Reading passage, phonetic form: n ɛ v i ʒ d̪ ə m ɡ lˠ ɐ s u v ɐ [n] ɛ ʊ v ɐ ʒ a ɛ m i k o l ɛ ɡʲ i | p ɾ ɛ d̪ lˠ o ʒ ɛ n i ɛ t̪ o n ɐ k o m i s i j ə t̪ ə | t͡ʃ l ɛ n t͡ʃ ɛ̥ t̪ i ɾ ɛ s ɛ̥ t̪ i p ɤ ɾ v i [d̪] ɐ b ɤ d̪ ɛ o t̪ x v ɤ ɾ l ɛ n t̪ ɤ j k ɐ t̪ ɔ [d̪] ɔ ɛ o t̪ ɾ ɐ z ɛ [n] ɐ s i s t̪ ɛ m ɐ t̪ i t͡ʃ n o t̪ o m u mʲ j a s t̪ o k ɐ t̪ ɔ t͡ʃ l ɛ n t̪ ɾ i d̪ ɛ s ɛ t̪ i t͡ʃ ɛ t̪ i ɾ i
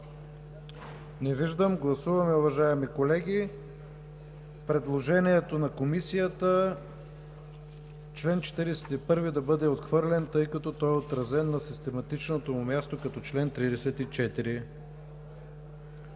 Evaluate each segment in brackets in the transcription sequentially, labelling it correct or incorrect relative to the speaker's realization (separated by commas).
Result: incorrect, correct, incorrect, incorrect